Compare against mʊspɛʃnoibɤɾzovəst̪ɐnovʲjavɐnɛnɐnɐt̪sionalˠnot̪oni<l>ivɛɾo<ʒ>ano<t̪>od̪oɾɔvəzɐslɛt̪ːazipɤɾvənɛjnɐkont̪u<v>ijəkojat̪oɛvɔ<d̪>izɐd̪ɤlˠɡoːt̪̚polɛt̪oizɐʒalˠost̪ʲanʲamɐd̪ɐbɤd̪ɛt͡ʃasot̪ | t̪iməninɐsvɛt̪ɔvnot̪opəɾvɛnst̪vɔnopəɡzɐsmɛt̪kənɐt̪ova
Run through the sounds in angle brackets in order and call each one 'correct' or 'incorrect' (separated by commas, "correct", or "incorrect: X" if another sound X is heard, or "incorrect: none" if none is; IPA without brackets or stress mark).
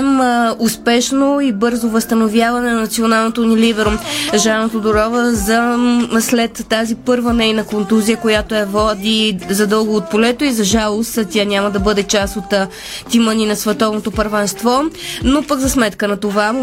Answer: correct, correct, correct, incorrect: z, correct